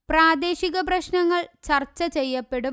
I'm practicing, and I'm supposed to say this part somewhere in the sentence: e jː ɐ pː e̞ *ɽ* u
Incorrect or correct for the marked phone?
correct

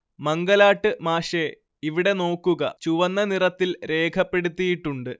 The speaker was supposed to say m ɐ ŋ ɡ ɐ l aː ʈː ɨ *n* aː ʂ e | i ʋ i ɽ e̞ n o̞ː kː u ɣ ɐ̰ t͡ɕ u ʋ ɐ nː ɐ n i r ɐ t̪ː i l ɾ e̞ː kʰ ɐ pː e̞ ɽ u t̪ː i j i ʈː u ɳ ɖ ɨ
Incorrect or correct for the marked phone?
incorrect: m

